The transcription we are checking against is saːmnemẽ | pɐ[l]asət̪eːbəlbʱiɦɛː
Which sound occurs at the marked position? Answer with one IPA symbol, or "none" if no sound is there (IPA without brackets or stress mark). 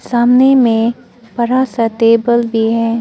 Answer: ɾ